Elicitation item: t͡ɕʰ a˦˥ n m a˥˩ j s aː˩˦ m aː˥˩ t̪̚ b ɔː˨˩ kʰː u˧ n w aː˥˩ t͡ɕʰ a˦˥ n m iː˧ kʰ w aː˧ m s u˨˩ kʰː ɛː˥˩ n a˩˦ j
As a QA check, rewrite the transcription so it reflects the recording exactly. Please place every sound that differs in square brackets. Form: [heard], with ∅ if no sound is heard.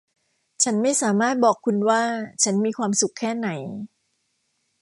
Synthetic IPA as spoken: t͡ɕʰ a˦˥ n m a˥˩ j s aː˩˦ m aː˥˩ t̪̚ b ɔː˨˩ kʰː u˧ n w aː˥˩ t͡ɕʰ a˦˥ n m iː˧ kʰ w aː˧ m s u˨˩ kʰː ɛː˥˩ n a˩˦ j